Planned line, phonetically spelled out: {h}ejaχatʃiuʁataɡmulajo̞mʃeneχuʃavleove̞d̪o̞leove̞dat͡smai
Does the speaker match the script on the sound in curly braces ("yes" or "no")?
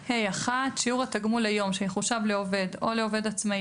yes